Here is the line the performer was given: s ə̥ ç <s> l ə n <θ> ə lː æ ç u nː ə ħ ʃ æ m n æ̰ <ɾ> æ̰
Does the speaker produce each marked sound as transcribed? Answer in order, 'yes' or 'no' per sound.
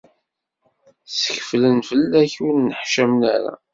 no, no, yes

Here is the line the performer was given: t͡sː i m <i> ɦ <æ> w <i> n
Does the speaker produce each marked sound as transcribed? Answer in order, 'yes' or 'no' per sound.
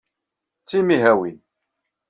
yes, yes, yes

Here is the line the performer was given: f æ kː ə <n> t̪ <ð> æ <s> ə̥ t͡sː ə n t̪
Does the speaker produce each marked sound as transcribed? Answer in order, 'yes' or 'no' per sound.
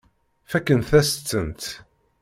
yes, no, yes

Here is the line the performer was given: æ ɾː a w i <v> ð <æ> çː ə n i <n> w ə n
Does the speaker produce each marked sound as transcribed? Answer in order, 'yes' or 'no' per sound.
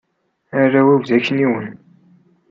yes, yes, no

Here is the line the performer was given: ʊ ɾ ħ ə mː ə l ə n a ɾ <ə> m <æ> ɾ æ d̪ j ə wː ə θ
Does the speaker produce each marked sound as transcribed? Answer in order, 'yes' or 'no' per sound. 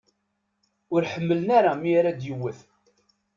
no, no

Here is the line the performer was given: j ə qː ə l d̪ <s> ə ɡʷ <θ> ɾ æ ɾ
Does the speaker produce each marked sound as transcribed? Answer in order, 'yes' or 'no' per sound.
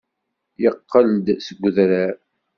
yes, no

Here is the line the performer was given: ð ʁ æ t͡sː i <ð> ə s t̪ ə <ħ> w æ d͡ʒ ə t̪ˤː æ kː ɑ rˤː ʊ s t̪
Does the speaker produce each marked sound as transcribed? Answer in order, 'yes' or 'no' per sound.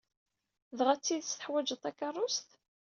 yes, yes

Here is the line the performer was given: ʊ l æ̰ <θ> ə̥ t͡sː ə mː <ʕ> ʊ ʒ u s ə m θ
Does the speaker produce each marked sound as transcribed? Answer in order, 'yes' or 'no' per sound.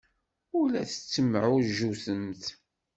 yes, yes

